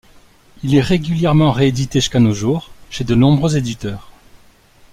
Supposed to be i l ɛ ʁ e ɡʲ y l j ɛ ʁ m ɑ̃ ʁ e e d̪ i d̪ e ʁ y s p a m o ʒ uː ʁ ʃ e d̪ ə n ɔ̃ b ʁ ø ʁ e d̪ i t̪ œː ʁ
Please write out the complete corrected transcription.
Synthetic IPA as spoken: i l ɛ ʁ e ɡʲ y l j ɛ ʁ m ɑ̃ ʁ e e d̪ i t̪ e ʒ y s k a n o ʒ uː ʁ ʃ e d̪ ə n ɔ̃ b ʁ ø z e d̪ i t̪ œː ʁ